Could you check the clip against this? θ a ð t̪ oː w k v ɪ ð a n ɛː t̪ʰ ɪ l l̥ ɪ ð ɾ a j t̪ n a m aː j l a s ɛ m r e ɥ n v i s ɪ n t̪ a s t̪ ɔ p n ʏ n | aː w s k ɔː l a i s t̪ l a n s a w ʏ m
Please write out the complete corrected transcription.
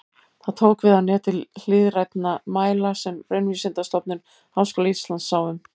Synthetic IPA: θ a ð t̪ʰ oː w k v ɪ ð a n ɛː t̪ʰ ɪ l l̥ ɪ ð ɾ a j t̪ n a m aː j l a s ɛ m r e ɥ n v i s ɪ n t̪ a s t̪ ɔ p n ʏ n | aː w s k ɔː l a i s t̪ l a n s a w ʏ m